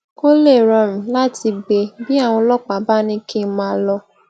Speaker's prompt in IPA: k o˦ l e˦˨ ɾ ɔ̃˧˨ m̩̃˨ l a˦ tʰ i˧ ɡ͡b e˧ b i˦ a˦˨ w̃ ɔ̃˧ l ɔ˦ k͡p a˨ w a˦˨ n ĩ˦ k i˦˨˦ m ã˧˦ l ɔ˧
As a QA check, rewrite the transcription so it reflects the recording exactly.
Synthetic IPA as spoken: k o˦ l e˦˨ ɾ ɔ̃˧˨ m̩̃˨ l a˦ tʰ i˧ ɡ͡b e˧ b i˦ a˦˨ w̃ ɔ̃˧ l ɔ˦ k͡p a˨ b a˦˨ n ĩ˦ k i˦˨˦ m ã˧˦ l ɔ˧

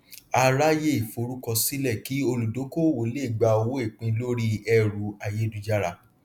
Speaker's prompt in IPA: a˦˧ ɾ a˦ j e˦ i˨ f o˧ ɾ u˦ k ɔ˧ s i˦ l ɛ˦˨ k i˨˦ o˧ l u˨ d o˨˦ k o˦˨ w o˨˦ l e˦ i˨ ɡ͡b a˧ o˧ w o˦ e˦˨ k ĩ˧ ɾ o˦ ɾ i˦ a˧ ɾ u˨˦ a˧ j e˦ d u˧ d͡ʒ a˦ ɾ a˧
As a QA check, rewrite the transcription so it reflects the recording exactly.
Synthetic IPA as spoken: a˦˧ ɾ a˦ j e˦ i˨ f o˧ ɾ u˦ k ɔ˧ s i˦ l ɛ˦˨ k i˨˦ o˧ l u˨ d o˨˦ k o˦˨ w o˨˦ l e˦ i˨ ɡ͡b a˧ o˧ w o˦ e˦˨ k͡p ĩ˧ l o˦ ɾ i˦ ɛ˧ ɾ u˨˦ a˧ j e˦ d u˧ d͡ʒ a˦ ɾ a˧

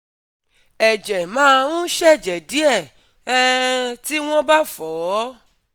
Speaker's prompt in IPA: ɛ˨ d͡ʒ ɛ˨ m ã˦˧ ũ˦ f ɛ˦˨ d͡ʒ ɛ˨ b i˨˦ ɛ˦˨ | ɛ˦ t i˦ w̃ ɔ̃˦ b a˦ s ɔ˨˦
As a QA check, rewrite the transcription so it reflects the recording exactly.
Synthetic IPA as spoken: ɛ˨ d͡ʒ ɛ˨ m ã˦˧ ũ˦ ʃ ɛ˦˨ d͡ʒ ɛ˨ d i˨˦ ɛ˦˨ | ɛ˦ t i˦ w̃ ɔ̃˦ b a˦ f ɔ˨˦

